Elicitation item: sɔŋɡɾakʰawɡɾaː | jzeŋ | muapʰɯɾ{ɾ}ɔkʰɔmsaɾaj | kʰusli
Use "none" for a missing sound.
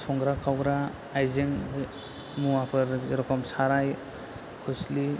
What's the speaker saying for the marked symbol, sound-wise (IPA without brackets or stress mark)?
ɾ